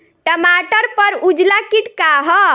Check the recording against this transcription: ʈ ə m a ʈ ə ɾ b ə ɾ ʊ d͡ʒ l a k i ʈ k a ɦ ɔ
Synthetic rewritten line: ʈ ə m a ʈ ə ɾ p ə ɾ u d͡ʒ l a k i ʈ k a ɦ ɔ

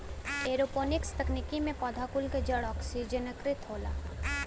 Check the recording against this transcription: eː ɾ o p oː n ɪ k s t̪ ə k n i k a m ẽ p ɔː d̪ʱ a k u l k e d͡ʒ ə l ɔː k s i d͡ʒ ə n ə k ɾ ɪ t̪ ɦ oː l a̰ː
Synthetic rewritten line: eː ɾ o p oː n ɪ k s t̪ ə k n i k i m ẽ p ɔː d̪ʱ a k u l k e d͡ʒ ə ɽ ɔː k s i d͡ʒ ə n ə k ɾ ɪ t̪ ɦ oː l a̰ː

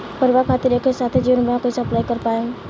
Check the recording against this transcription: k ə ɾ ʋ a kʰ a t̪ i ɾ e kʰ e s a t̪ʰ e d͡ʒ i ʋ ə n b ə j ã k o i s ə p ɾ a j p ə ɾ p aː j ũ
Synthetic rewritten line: p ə ɾ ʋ a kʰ a t̪ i ɾ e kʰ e s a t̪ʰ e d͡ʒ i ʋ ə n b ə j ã k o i s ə p l a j k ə ɾ p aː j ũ

